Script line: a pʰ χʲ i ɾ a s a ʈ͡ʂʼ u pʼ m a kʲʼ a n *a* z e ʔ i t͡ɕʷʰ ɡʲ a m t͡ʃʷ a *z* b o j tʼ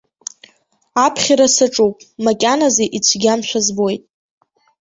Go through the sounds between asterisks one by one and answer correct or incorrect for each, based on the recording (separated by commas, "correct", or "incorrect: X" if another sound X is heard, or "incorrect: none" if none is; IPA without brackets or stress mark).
correct, correct